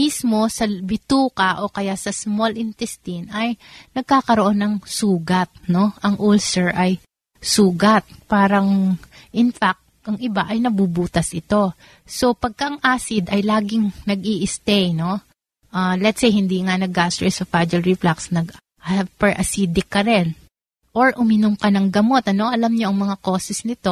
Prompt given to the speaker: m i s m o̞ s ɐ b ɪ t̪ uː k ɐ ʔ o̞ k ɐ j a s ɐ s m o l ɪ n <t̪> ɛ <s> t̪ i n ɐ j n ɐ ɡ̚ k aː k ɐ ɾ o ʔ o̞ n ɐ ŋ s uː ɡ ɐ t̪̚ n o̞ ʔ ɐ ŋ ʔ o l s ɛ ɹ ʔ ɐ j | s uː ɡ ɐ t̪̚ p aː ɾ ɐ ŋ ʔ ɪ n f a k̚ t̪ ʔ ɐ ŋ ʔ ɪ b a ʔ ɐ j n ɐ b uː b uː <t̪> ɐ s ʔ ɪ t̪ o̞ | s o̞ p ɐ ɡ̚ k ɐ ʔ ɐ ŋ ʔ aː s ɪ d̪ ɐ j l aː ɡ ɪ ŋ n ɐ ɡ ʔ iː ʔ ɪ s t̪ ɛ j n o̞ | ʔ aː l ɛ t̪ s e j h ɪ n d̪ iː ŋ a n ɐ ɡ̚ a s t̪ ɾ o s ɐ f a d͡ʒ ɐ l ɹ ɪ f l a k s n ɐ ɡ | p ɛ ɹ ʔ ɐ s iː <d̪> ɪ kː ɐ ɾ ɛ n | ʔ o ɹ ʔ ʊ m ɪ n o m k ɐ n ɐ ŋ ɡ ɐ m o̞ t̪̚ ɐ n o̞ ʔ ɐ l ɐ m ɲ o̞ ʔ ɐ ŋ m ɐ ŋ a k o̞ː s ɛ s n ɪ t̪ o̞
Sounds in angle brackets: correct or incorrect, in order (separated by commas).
correct, correct, correct, correct